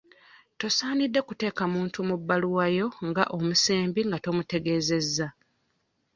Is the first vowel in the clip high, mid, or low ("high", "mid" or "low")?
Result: mid